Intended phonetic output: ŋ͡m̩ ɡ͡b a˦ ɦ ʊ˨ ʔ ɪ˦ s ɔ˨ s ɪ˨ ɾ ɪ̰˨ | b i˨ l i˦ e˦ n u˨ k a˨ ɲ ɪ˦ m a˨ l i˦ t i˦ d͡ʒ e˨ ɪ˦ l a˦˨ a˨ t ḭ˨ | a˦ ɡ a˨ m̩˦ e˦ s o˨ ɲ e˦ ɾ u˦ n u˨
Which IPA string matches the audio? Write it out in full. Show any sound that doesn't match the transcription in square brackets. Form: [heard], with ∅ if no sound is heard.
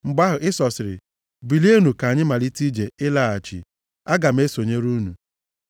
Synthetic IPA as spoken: ŋ͡m̩ ɡ͡b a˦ ɦ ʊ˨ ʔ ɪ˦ s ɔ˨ s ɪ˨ ɾ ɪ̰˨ | b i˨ l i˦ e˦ n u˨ k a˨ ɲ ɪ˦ m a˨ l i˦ t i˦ d͡ʒ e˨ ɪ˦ l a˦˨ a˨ [t͡ʃ] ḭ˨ | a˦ ɡ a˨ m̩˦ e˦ s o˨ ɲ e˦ ɾ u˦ n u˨

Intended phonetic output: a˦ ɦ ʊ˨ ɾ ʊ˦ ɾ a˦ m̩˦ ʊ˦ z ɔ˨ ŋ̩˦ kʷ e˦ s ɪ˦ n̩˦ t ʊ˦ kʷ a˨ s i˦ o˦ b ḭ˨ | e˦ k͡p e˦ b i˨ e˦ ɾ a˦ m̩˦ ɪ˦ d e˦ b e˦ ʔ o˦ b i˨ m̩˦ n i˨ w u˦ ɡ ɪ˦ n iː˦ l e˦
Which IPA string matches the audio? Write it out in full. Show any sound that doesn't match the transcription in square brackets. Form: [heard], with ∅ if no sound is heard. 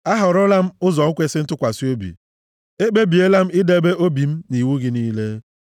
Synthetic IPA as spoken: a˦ ɦ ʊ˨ ɾ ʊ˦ [l] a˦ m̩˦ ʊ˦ z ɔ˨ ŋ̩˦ kʷ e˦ s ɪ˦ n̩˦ t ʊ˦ kʷ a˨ s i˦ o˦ b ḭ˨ | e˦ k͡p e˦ b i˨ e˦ [l] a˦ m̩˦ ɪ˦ d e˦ b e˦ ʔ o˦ b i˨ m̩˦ n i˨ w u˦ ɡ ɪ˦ n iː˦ l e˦

